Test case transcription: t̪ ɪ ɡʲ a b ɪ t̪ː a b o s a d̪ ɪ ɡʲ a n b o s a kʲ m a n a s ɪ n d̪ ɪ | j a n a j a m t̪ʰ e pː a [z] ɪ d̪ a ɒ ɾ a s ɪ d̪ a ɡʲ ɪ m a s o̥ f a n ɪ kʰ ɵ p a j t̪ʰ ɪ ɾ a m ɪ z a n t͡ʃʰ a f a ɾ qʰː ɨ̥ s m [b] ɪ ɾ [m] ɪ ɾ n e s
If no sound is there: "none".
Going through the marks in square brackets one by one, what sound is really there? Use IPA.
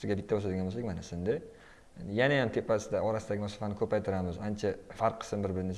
s, b, b

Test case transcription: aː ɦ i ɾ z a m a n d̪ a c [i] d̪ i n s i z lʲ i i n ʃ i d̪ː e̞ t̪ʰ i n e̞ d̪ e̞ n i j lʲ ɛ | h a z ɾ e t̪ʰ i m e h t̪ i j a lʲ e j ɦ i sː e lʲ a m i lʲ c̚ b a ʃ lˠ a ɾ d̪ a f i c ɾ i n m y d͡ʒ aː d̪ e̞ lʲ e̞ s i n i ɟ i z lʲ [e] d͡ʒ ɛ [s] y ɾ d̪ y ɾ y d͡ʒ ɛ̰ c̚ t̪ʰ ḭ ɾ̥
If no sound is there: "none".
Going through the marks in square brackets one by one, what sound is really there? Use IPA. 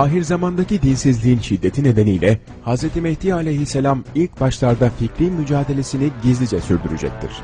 i, i, s

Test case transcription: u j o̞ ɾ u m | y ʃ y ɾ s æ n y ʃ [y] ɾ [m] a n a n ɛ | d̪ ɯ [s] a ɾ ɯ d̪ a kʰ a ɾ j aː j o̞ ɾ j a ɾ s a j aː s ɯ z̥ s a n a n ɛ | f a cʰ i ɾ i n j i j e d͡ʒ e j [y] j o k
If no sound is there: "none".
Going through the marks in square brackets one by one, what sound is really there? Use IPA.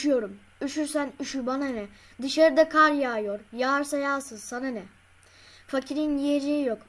y, b, ʃ, i

